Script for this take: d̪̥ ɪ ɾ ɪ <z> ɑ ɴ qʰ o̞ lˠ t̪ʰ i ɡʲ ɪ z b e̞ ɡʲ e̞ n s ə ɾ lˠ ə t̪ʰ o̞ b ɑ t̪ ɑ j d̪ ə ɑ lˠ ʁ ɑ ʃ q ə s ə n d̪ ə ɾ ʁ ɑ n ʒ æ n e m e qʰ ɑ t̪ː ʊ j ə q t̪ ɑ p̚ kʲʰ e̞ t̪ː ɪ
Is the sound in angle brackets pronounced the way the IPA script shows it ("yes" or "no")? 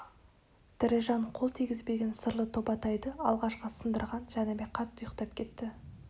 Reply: no